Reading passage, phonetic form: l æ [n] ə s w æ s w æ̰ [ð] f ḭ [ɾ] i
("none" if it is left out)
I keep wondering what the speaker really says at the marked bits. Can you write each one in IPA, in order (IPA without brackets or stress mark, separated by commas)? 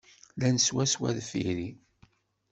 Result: n, ð, ɾ